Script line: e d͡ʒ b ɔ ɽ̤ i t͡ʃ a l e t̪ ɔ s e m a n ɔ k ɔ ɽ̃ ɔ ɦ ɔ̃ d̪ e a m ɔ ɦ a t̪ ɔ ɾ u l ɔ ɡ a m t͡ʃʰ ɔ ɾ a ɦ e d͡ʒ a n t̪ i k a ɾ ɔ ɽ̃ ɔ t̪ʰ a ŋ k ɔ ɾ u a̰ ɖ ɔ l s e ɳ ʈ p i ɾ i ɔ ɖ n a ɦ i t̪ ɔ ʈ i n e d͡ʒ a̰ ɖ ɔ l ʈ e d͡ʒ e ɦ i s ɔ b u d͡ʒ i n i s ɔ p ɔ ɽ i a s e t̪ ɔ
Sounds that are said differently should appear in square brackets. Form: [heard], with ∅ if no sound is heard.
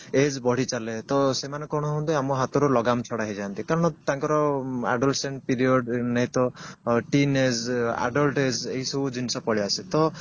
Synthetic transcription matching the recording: e d͡ʒ b ɔ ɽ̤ i t͡ʃ a l e t̪ ɔ s e m a n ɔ k ɔ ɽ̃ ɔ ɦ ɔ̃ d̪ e a m ɔ ɦ a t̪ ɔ ɾ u l ɔ ɡ a m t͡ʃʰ ɔ [ɽ] a ɦ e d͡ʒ a n t̪ i k a ɾ ɔ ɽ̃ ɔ [t̪] a ŋ k ɔ ɾ [ɔ] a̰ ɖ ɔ l s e ɳ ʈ p i ɾ i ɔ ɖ n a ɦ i t̪ ɔ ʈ i n e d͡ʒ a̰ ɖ ɔ l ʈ e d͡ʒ e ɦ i s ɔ b u d͡ʒ i n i s ɔ p ɔ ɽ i a s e t̪ ɔ